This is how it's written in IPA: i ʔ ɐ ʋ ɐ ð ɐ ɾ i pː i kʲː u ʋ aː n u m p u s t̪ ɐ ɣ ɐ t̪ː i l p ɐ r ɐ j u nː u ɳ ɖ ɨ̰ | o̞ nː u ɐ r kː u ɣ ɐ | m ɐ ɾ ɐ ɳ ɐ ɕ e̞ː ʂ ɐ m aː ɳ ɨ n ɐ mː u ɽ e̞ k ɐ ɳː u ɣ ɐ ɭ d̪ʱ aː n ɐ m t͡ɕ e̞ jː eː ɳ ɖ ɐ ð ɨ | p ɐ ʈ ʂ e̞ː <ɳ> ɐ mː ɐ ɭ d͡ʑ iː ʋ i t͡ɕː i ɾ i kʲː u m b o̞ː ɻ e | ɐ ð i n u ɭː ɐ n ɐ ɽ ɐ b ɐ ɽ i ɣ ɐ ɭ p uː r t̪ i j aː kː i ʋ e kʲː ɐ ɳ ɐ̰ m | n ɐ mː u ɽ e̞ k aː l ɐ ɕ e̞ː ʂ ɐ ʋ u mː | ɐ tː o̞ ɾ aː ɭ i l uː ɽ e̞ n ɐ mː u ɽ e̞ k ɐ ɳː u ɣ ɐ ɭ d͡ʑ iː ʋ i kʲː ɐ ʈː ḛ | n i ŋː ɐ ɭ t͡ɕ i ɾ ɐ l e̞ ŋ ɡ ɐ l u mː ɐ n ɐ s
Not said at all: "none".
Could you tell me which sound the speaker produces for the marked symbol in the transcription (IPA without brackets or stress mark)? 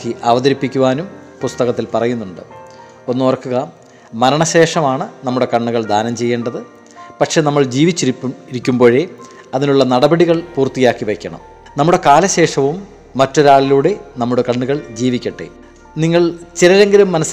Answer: n